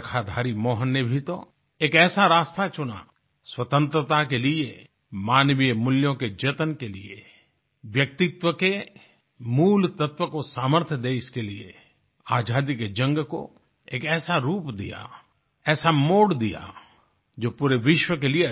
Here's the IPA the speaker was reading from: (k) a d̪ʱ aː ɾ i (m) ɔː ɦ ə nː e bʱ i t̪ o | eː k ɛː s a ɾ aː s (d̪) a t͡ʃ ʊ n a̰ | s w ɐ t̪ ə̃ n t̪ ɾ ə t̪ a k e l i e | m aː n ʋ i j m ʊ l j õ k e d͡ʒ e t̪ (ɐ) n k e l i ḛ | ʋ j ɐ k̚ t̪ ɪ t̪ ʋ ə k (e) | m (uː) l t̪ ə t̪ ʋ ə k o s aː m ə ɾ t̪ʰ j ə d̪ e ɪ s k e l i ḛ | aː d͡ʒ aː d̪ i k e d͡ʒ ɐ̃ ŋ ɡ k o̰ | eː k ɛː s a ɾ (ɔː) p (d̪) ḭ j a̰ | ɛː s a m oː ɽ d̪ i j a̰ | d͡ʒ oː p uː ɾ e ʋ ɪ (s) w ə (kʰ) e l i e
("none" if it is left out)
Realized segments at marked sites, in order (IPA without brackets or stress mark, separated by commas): kʰ, m, t̪, ə, e, uː, uː, d̪, ʃ, k